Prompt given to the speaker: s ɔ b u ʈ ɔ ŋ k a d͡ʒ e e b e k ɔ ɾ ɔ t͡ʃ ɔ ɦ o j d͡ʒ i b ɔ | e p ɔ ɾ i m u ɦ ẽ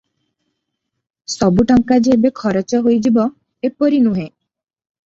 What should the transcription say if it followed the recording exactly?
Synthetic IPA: s ɔ b u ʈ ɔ ŋ k a d͡ʒ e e b e kʰ ɔ ɾ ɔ t͡ʃ ɔ ɦ o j d͡ʒ i b ɔ | e p ɔ ɾ i n u ɦ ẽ